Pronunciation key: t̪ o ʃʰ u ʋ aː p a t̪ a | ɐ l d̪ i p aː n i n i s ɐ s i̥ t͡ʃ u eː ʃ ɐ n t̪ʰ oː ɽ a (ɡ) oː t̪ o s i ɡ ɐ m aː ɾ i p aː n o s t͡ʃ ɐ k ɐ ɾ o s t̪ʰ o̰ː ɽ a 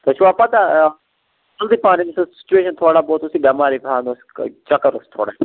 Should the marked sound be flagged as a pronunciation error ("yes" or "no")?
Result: yes